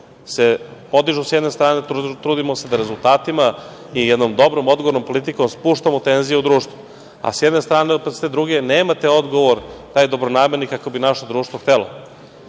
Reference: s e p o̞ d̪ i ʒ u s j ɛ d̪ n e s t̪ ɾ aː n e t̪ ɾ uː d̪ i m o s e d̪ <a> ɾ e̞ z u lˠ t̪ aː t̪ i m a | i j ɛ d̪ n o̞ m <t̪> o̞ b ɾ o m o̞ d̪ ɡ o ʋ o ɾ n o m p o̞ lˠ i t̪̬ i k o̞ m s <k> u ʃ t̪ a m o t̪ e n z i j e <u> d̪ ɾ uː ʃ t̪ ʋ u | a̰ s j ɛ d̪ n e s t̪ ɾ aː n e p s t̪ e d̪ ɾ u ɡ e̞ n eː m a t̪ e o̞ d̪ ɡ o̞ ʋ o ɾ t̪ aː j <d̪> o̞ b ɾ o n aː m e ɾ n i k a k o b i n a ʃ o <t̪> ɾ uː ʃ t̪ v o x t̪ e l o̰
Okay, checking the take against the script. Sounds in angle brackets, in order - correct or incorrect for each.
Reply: correct, incorrect, incorrect, correct, correct, incorrect

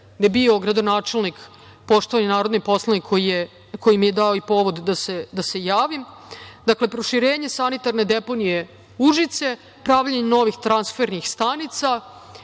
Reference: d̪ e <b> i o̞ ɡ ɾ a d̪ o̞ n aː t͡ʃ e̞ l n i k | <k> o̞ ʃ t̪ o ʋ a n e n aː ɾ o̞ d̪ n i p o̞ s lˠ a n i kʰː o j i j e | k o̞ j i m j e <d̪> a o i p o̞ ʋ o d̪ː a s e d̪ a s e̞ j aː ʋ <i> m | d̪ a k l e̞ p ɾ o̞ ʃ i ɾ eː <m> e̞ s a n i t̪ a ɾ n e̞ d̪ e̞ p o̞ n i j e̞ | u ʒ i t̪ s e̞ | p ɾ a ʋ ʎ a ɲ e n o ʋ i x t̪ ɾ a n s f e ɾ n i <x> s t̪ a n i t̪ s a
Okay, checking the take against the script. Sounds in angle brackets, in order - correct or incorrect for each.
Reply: correct, incorrect, correct, correct, incorrect, correct

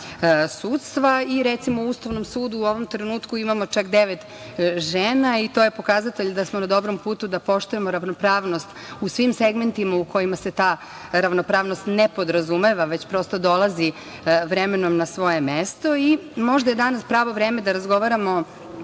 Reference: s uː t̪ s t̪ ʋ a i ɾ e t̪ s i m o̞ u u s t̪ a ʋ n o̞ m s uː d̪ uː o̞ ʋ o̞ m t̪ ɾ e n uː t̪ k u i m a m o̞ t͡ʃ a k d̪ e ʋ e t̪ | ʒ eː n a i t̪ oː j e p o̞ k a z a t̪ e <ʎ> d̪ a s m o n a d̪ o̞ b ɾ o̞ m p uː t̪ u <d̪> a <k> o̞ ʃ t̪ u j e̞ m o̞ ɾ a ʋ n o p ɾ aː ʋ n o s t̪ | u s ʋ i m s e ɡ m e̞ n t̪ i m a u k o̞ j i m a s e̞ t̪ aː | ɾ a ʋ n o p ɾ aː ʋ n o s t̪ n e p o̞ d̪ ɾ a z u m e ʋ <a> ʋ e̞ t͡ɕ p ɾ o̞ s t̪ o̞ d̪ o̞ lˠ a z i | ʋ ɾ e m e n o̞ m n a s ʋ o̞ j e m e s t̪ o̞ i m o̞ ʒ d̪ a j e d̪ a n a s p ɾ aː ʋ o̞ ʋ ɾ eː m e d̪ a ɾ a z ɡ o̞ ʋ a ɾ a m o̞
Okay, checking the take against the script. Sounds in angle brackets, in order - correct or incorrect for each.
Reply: correct, correct, incorrect, correct

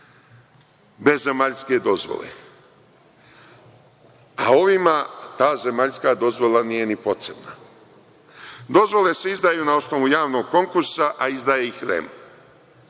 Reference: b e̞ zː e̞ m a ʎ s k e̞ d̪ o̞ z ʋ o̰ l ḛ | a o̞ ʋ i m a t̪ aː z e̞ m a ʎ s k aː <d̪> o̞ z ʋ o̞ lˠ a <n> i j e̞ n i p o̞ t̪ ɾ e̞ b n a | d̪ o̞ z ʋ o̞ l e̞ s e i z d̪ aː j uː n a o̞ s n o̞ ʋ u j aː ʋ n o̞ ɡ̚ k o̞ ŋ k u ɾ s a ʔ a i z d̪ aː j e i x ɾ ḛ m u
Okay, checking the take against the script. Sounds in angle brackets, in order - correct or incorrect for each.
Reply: correct, correct

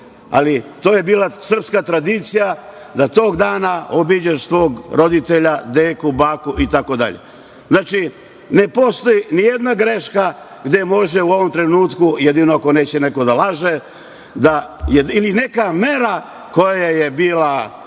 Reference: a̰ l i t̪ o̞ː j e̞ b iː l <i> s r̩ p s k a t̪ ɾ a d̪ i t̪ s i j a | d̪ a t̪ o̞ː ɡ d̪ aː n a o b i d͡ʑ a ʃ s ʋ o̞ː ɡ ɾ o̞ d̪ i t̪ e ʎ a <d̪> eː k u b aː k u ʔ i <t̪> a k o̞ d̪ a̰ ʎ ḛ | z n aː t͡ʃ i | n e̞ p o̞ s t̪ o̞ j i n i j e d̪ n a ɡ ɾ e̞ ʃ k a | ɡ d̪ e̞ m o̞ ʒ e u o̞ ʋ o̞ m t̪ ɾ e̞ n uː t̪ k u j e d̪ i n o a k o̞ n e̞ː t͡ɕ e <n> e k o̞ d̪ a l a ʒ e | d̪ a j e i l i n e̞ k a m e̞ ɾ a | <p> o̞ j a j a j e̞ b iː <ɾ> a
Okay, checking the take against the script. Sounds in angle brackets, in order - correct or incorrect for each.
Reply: incorrect, correct, correct, correct, incorrect, incorrect

